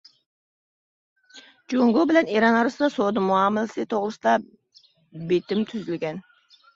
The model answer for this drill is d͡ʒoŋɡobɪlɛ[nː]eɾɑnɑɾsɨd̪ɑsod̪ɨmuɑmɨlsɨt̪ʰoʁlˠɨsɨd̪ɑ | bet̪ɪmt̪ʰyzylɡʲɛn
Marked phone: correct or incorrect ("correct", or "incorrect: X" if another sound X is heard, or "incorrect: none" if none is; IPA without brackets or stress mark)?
incorrect: n